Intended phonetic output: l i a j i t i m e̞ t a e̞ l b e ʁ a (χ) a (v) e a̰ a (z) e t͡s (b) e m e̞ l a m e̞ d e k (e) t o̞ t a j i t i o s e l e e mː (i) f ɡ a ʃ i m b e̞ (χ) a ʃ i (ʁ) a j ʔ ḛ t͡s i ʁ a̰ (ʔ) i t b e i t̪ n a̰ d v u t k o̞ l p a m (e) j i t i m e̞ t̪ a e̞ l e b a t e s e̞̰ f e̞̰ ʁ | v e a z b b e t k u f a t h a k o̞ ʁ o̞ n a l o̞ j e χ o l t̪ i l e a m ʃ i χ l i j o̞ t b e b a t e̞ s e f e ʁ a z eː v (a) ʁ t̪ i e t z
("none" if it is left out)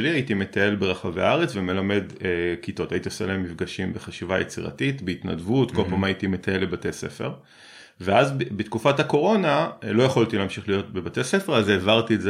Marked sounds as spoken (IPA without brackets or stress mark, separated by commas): χ, v, ʁ, v, i, i, χ, v, t, a, a